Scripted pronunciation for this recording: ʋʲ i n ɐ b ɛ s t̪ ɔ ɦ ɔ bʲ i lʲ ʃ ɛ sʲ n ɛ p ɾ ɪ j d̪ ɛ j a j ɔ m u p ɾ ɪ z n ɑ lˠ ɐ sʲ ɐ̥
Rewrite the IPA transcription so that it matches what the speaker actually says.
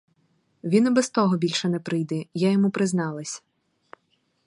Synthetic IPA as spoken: ʋʲ i n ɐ b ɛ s t̪ ɔ ɦ ɔ bʲ i lʲ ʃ ɛ n ɛ p ɾ ɪ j d̪ ɛ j a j ɔ m u p ɾ ɪ z n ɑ lˠ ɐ sʲ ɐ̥